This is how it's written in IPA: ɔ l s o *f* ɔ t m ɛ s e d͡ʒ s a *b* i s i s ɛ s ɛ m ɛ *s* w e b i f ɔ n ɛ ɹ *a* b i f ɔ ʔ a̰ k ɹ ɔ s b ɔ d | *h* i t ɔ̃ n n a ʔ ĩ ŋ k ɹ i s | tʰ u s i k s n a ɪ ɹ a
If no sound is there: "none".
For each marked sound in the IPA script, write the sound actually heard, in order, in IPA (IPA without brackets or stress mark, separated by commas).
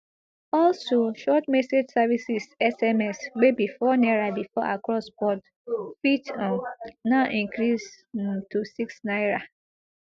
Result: ʃ, v, s, a, f